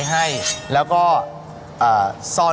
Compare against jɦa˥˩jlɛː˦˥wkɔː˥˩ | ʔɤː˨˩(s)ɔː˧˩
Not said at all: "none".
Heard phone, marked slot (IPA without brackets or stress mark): s